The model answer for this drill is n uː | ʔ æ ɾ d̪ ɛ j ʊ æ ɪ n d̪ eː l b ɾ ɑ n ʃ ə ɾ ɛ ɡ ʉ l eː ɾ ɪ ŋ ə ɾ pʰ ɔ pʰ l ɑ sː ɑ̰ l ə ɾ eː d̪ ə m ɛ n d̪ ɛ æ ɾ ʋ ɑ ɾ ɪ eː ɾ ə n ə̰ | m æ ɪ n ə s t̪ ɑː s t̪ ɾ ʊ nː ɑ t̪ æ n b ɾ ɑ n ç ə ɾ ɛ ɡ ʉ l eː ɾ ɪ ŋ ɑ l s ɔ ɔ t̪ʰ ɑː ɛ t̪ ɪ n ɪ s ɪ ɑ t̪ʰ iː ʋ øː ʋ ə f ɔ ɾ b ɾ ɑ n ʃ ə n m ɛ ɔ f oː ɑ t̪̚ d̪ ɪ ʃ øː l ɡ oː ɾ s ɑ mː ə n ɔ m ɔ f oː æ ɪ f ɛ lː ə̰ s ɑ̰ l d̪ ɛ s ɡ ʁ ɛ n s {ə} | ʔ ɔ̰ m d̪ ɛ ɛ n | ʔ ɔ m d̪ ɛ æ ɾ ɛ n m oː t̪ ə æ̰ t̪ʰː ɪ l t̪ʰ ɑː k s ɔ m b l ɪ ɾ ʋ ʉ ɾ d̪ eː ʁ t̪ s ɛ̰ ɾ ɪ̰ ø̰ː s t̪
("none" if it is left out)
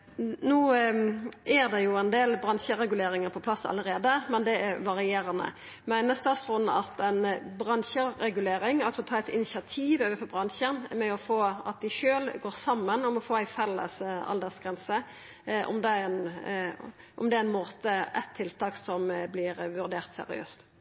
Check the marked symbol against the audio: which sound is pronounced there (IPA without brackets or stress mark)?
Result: ə